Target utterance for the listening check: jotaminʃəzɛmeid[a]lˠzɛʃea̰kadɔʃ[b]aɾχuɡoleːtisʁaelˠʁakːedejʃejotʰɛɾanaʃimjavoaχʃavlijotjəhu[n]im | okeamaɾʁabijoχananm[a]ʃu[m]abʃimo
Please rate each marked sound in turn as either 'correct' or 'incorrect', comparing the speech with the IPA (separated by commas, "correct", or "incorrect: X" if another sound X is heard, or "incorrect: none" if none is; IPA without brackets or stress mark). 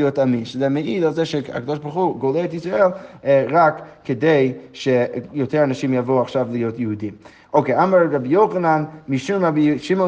correct, correct, incorrect: d, incorrect: i, correct